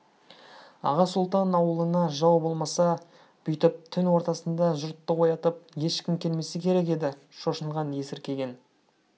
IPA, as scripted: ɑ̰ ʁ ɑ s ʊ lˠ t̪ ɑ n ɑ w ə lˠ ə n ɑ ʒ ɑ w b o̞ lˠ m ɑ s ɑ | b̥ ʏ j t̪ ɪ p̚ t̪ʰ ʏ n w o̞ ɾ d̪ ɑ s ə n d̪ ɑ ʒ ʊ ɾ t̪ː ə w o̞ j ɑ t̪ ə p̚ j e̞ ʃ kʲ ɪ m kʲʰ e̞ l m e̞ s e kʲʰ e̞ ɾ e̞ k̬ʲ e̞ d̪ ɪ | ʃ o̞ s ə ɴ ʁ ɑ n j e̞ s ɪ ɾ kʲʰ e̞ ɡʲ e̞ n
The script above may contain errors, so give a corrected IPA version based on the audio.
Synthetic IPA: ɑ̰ ʁ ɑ s ʊ lˠ t̪ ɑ n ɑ w ə lˠ ə n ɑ ʒ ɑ w b o̞ lˠ m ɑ s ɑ | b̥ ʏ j t̪ ɪ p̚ t̪ʰ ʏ n w o̞ ɾ t̪ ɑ s ə n d̪ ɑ ʒ ʊ ɾ t̪ː ə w o̞ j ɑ t̪ ə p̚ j e̞ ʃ kʲ ɪ m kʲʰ e̞ l m e̞ s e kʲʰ e̞ ɾ e̞ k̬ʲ e̞ d̪ ɪ | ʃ o̞ ʃ ə ɴ ʁ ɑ n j e̞ s ɪ ɾ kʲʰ e̞ ɡʲ e̞ n